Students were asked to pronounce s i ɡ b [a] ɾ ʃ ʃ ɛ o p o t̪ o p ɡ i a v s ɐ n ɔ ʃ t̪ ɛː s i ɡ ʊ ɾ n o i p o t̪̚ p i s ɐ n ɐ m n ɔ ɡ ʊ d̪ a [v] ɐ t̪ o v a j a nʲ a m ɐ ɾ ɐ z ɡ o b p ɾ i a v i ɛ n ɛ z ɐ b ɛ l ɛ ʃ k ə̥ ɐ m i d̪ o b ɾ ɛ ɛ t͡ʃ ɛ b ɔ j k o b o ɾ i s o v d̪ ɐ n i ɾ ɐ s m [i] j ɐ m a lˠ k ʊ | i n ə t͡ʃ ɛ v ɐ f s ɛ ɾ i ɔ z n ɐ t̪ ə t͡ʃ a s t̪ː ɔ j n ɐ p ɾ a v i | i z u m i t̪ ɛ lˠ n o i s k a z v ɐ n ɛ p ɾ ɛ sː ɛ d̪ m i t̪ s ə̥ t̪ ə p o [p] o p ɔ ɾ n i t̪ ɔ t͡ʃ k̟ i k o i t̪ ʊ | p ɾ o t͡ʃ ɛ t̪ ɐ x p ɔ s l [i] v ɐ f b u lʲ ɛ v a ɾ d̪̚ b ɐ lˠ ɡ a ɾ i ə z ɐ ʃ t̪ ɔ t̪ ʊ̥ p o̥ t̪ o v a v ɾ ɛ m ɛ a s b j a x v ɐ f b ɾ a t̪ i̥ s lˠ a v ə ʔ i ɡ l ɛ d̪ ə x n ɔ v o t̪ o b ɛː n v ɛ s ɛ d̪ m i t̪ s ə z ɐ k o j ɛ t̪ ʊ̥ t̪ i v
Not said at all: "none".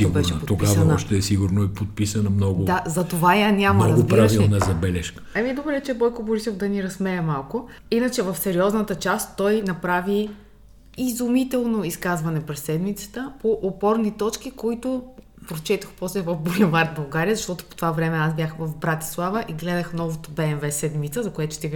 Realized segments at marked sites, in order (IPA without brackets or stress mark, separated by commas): ɛ, z, ɛ, ʔ, ɛ